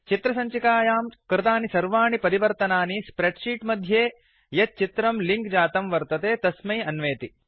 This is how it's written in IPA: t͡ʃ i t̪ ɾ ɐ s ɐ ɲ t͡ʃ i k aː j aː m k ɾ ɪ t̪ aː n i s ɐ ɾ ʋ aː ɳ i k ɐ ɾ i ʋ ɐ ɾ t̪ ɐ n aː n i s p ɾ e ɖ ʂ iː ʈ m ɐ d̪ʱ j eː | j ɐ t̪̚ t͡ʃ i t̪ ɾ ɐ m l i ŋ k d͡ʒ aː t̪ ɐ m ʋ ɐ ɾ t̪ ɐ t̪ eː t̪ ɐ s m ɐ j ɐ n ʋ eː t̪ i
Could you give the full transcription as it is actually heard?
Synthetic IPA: t͡ʃ i t̪ ɾ ɐ s ɐ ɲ t͡ʃ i k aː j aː m k ɾ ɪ t̪ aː n i s ɐ ɾ ʋ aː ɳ i p ɐ ɾ i ʋ ɐ ɾ t̪ ɐ n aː n i s p ɾ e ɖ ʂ iː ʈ m ɐ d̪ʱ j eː | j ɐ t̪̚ t͡ʃ i t̪ ɾ ɐ m l i ŋ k d͡ʒ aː t̪ ɐ m ʋ ɐ ɾ t̪ ɐ t̪ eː t̪ ɐ s m ɐ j ɐ n ʋ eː t̪ i